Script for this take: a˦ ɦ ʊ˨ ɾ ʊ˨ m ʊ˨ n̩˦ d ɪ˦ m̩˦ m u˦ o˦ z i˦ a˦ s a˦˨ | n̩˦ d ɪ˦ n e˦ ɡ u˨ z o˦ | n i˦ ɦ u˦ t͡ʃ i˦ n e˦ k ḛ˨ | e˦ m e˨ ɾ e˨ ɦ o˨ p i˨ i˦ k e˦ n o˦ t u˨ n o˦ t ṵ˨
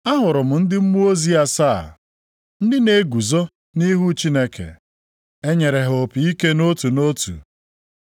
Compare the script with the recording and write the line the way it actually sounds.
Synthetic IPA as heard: a˦ ɦ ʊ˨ ɾ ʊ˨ m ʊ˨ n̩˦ d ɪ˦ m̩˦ m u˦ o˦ z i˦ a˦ s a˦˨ | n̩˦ d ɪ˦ n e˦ ɡ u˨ z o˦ | n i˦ ɦ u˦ t͡ʃ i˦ n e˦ k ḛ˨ | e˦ ɲ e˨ ɾ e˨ ɦ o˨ p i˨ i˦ k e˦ n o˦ t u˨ n o˦ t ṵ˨